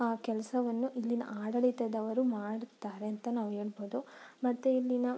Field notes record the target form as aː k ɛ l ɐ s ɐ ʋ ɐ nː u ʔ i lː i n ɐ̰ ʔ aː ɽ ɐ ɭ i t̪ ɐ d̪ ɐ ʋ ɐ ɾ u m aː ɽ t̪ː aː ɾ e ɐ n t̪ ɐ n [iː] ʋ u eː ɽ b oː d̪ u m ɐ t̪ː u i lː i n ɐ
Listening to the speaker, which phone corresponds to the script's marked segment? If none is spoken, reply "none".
aː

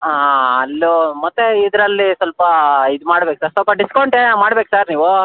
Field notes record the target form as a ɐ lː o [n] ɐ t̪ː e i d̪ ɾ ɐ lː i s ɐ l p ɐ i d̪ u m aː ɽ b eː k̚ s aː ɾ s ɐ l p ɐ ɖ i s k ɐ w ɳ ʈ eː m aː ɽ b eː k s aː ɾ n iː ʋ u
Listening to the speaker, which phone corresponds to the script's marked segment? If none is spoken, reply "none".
m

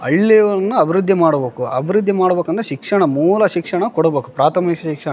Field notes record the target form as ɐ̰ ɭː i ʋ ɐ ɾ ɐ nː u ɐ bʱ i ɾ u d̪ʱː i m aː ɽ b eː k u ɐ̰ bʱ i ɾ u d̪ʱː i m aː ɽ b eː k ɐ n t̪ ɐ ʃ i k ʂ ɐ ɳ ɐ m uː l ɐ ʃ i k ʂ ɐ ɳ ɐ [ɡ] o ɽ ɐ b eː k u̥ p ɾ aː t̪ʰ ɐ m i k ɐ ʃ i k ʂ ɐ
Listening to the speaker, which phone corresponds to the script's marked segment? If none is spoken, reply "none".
k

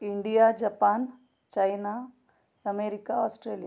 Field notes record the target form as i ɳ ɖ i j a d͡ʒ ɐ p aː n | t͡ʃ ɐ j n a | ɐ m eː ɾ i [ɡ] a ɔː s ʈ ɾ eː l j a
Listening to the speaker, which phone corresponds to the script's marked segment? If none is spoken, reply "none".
k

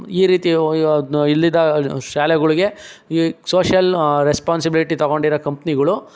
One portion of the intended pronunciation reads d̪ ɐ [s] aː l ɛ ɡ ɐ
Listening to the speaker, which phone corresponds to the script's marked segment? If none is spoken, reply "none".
ʃ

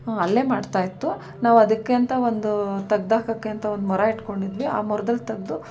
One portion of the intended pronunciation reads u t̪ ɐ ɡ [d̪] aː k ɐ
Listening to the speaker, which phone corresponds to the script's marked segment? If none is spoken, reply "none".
d̪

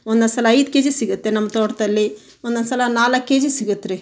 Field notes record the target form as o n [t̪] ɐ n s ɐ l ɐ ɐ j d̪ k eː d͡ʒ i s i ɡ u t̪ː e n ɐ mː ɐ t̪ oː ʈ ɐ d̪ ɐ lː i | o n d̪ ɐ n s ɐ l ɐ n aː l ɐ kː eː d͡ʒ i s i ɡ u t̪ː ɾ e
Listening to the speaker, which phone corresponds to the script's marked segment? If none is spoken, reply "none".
d̪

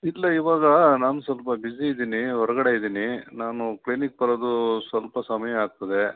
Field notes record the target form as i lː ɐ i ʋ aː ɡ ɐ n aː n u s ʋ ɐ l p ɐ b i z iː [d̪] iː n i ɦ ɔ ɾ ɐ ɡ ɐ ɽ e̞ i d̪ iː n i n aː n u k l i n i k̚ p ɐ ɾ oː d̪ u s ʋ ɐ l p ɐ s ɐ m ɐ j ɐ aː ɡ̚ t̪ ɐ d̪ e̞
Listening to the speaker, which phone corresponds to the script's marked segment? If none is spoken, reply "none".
d̪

